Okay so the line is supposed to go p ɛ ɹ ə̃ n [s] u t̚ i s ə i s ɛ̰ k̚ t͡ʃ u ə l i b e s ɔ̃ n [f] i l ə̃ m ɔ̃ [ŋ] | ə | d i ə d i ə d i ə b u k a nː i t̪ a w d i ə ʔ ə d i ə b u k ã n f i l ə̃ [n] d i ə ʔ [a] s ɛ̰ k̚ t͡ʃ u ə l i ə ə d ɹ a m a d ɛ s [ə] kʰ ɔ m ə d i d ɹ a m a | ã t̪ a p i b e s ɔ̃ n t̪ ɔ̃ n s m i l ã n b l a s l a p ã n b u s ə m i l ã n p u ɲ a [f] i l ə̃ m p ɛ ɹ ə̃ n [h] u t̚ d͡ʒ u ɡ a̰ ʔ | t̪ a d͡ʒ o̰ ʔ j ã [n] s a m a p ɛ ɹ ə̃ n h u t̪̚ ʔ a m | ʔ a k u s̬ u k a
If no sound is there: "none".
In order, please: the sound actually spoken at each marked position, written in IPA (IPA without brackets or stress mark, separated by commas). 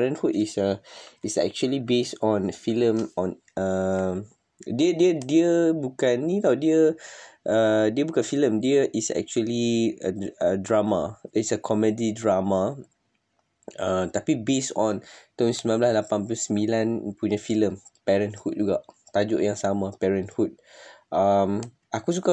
h, f, n, m, i, ə, f, h, ŋ